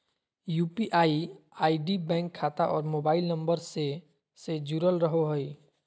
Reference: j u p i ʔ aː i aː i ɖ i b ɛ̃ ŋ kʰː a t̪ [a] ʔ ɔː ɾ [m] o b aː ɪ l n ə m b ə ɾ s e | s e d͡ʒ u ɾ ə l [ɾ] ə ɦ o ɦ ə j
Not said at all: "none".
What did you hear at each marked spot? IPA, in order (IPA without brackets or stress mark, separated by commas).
a, m, ɾ